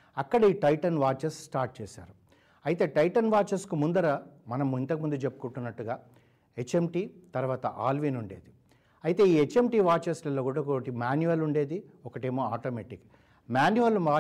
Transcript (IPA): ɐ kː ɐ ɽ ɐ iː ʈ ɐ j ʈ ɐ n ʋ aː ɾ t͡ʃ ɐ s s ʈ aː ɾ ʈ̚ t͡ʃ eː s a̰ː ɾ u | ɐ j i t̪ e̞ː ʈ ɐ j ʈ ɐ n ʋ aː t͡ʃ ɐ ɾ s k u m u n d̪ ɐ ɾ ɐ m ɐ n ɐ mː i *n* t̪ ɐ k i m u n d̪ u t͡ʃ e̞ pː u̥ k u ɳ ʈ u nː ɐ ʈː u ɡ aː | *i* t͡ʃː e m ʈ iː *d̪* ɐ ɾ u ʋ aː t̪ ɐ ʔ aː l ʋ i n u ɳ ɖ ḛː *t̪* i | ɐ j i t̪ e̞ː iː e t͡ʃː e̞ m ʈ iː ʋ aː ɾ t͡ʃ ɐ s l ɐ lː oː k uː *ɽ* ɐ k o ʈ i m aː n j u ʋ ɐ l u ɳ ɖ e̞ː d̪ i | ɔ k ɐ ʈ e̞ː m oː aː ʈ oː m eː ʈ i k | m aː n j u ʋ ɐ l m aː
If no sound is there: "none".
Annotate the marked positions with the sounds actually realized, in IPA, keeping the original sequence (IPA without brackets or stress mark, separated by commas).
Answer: n, e, t̪, d̪, ɽ